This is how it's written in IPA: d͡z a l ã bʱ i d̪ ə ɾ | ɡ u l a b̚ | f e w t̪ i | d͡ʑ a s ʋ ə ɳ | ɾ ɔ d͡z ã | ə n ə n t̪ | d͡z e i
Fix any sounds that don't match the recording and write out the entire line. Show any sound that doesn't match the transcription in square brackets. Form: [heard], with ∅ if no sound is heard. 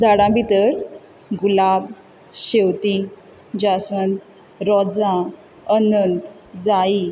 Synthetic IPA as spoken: d͡z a [ɽ] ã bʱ i [t̪] ə ɾ | ɡ u l a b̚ | [ɕ] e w t̪ i | d͡ʑ a s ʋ ə [n] | ɾ ɔ d͡z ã | ə n ə n t̪ | d͡z [a] i